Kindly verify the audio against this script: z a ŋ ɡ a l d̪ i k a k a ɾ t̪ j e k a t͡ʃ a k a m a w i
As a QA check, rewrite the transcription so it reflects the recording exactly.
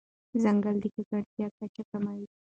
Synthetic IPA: z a ŋ ɡ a l d̪ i k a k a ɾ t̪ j a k a t͡ʃ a k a m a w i